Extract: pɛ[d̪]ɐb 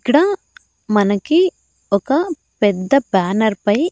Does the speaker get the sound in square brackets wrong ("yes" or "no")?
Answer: yes